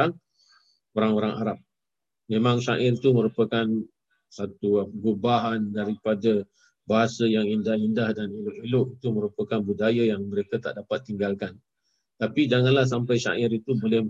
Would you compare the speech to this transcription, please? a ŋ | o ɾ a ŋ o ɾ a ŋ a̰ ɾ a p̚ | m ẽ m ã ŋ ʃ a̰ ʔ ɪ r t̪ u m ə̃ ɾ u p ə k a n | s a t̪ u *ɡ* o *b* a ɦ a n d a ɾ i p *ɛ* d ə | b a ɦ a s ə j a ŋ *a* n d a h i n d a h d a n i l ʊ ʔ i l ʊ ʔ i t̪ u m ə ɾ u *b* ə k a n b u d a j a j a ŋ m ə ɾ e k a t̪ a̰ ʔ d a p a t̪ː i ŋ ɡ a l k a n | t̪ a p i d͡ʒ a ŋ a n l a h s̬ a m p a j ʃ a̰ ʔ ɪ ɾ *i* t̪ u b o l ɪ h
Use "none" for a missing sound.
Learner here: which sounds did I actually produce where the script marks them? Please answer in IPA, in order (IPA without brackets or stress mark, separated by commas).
ɡ, b, a, i, p, i